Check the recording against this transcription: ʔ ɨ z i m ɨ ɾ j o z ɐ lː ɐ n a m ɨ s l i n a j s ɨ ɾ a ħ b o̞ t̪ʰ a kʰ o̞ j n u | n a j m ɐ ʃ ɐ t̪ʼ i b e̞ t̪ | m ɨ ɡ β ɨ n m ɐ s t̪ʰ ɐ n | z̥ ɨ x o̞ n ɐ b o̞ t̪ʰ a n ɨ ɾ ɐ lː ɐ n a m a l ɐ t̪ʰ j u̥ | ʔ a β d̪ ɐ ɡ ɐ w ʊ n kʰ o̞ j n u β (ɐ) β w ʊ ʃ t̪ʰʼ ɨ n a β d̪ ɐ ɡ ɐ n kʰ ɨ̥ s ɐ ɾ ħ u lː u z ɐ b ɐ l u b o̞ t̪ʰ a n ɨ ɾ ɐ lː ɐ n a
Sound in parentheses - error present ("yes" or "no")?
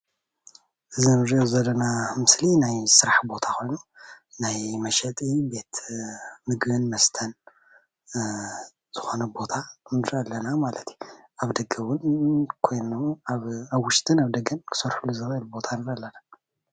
yes